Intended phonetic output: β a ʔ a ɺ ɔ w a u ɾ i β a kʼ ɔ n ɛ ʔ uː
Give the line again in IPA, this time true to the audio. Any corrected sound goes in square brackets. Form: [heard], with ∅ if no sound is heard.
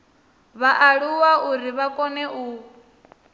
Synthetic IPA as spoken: β a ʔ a ɺ [u] w a u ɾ i β a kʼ ɔ n ɛ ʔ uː

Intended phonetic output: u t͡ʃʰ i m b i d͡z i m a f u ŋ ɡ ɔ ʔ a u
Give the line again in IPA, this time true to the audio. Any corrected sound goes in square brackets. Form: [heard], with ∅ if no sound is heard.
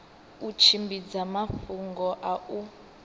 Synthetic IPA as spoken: u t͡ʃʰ i m b i d͡z [a] m a f u ŋ ɡ ɔ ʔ a u

